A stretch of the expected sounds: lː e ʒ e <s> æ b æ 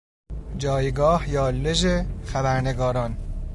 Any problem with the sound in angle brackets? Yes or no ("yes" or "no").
yes